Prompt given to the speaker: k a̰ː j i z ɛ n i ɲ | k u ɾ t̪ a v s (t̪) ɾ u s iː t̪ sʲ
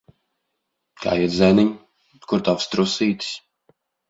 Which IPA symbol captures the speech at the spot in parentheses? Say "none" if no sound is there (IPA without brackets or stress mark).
t̪